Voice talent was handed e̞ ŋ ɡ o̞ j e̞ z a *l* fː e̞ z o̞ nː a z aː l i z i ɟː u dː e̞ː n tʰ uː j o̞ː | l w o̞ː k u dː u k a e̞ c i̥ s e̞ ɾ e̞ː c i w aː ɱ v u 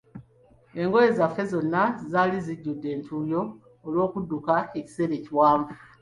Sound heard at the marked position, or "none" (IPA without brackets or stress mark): none